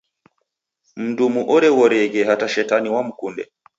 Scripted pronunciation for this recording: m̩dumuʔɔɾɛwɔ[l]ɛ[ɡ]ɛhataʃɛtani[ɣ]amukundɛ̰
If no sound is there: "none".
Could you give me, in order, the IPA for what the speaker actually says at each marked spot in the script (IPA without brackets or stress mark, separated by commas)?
ɾ, ɡ, w